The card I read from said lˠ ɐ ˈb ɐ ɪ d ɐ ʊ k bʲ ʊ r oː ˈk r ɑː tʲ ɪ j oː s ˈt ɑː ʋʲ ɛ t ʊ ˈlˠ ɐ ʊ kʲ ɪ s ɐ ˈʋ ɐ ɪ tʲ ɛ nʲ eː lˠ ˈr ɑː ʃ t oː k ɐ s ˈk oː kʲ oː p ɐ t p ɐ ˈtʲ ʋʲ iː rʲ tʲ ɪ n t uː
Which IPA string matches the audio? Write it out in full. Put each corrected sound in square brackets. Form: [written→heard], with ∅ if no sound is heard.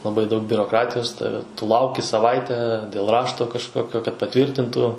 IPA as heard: lˠ ɐ ˈb ɐ ɪ d ɐ ʊ k bʲ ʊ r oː ˈk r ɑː tʲ ɪ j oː s ˈt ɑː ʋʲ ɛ t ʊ ˈlˠ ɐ ʊ kʲ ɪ s ɐ ˈʋ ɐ ɪ tʲ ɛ [nʲ→dʲ] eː lˠ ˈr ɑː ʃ t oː k ɐ [s→ʃ] ˈk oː kʲ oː [p→k] ɐ t p ɐ ˈtʲ ʋʲ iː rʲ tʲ ɪ n t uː